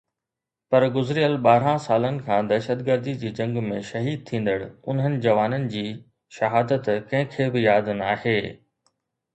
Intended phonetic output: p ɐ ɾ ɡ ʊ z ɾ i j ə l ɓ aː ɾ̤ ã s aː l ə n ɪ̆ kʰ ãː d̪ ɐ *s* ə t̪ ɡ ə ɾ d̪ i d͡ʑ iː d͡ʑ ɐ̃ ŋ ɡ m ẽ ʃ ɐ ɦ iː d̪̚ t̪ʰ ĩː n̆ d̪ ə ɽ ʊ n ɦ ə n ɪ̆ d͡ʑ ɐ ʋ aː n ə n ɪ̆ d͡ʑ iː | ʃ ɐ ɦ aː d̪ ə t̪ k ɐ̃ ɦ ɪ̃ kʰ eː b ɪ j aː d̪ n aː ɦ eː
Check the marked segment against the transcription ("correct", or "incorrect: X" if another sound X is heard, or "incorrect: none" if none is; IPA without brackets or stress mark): incorrect: ʃ